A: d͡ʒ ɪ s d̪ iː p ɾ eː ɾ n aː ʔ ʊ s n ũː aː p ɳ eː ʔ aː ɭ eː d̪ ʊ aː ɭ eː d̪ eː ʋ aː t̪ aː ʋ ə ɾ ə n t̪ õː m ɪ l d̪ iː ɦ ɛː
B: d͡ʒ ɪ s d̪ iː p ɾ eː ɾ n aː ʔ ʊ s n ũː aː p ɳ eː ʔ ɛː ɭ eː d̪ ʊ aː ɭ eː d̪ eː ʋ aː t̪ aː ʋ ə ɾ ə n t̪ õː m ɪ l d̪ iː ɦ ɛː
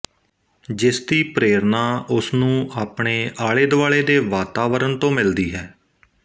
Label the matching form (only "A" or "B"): A